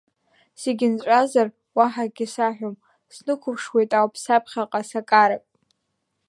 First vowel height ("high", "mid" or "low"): mid